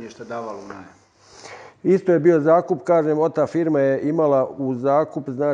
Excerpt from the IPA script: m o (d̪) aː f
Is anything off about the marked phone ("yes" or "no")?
yes